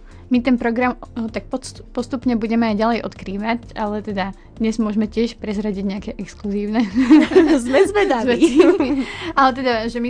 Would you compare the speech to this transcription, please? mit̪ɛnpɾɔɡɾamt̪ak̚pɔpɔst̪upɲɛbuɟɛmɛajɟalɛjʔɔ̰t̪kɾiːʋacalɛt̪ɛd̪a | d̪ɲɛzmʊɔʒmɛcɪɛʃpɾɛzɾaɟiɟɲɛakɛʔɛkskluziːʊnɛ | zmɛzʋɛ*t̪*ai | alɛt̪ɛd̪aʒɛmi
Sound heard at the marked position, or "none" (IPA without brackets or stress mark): d̪